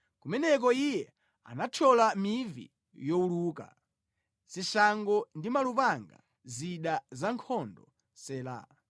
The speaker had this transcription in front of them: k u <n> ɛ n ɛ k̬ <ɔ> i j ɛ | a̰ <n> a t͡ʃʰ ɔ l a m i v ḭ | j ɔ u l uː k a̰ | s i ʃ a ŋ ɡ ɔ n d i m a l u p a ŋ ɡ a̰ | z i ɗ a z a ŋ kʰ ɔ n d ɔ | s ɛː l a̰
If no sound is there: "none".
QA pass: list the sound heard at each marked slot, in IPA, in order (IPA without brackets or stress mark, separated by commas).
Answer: m, ɔ, n